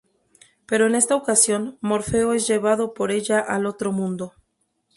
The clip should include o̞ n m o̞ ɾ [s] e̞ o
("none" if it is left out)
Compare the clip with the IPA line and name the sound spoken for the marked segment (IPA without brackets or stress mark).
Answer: f